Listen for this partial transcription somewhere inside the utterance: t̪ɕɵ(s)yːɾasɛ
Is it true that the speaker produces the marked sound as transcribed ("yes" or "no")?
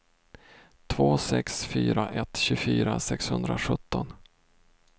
no